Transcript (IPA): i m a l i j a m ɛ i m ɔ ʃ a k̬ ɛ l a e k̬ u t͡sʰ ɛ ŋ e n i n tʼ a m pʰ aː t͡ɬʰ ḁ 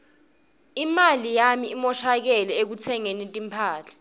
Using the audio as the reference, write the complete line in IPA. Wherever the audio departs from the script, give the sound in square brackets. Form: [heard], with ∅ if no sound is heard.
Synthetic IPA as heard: i m a l i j a m [i] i m ɔ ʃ a k̬ ɛ l [ɛ] e k̬ u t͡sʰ ɛ ŋ e n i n tʼ [i] m pʰ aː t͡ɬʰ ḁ